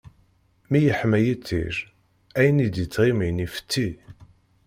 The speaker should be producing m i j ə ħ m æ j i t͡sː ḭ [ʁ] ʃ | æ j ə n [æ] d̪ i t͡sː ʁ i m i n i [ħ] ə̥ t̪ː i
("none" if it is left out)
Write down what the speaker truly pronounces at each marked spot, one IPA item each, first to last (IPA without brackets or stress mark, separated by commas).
none, i, f